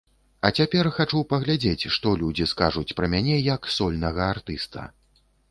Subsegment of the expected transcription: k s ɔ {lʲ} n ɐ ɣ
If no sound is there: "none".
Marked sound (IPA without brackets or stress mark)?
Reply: lʲ